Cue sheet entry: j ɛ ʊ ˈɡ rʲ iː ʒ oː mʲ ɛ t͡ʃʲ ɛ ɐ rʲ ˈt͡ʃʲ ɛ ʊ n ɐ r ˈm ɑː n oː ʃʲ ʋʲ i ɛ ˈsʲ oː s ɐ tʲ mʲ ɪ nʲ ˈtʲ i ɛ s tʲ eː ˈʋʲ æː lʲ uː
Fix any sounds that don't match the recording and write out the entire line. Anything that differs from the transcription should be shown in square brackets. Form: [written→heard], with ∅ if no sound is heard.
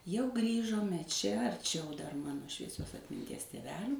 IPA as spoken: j ɛ ʊ ˈɡ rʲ iː ʒ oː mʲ ɛ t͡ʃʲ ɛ ɐ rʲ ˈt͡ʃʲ ɛ ʊ [n→d] ɐ r ˈm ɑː n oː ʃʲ ʋʲ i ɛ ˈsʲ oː s ɐ tʲ mʲ ɪ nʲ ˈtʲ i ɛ s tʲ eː ˈʋʲ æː lʲ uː